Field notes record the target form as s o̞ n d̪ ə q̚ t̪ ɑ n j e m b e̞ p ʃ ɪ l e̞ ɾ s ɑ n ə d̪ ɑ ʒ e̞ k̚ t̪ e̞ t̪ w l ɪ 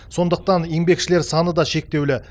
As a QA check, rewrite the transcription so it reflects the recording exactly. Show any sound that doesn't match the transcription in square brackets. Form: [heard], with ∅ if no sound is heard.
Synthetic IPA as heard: s o̞ n d̪ ə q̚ t̪ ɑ n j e m b e̞ [k] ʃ ɪ l e̞ ɾ s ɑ n ə d̪ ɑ [ʃ] e̞ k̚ t̪ e̞ [∅] w l ɪ